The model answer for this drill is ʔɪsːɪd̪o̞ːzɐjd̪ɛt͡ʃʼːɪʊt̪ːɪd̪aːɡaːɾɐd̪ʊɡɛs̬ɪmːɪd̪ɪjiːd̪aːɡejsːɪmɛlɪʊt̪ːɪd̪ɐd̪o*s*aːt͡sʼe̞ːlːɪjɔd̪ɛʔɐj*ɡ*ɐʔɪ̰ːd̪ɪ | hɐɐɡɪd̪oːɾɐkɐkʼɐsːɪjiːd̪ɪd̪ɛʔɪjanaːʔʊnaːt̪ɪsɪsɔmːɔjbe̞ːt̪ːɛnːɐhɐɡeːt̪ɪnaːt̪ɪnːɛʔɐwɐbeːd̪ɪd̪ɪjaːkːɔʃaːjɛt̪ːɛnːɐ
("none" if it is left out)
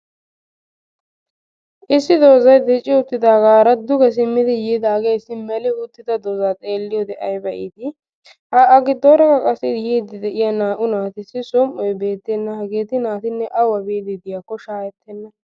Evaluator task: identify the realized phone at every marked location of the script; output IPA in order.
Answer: z, b

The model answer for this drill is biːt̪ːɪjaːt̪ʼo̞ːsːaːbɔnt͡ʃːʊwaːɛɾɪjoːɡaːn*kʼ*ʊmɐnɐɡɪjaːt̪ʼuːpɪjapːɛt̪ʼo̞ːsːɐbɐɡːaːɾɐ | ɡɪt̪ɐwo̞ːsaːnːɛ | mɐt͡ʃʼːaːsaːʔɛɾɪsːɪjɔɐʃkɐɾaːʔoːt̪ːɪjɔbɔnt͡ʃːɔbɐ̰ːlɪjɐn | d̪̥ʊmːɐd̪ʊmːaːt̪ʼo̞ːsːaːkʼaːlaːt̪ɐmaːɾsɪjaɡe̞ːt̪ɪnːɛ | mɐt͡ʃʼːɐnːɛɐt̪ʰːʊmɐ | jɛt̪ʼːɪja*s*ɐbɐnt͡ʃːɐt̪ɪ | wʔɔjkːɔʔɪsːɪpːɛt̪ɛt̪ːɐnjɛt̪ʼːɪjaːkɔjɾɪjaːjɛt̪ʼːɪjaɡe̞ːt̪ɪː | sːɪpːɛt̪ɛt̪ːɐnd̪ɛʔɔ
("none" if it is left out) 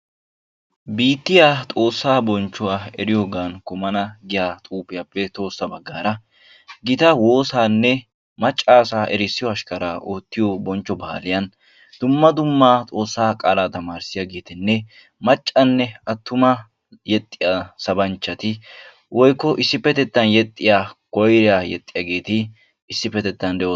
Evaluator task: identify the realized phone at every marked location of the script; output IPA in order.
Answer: k, s

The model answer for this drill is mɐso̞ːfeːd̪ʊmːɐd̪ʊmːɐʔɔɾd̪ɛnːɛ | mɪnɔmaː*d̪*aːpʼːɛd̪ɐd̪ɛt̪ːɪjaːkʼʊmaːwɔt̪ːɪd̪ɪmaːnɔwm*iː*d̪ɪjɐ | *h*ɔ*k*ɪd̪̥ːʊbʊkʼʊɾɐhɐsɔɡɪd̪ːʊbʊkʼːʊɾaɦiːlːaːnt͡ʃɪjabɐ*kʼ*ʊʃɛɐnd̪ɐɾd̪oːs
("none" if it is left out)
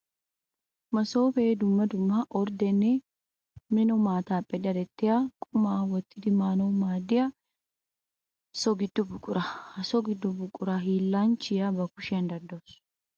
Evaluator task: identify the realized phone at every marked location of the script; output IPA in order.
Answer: t̪, aː, s, ɡ, k

